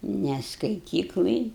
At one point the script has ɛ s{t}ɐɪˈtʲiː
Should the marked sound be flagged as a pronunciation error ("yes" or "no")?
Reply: yes